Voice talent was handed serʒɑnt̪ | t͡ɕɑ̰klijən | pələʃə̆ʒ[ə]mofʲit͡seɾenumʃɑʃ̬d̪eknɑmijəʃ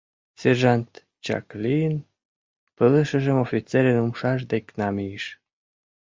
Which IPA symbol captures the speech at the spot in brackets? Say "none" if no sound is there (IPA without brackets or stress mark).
ə